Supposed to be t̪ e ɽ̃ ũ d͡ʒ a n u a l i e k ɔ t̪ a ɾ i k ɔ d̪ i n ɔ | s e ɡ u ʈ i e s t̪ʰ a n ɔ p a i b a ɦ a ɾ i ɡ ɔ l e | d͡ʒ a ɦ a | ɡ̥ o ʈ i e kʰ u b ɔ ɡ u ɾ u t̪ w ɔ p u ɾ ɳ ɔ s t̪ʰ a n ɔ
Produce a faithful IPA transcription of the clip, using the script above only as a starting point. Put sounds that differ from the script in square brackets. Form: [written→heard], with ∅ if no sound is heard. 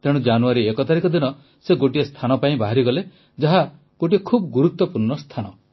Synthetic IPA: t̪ e ɽ̃ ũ d͡ʒ a n u a [l→ɾ] i e k ɔ t̪ a ɾ i k ɔ d̪ i n ɔ | s e ɡ [u→o] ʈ i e s t̪ʰ a n ɔ p a [i→ĩ] b a ɦ a ɾ i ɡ ɔ l e | d͡ʒ a ɦ a | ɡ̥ o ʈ i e kʰ u b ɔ ɡ u ɾ u t̪ w ɔ p u ɾ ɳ ɔ s t̪ʰ a n ɔ